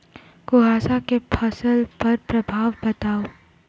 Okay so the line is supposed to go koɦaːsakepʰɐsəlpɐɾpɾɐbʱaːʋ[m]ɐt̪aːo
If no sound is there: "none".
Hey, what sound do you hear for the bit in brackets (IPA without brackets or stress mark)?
b